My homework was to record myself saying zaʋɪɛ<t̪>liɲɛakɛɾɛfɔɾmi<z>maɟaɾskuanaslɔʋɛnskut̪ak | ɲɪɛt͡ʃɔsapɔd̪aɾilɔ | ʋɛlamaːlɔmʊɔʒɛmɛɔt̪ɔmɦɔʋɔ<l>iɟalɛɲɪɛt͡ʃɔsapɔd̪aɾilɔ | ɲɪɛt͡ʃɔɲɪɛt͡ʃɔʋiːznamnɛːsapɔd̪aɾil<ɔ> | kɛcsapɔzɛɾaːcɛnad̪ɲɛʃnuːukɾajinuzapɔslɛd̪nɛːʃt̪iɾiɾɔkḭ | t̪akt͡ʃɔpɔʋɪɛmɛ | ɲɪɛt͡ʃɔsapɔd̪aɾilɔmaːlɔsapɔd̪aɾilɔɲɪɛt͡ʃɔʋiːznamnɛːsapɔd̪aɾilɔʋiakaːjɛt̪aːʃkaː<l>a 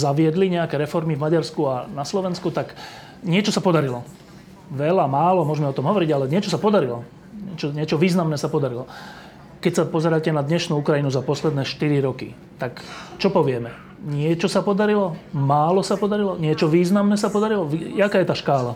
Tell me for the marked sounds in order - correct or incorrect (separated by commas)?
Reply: incorrect, incorrect, incorrect, correct, correct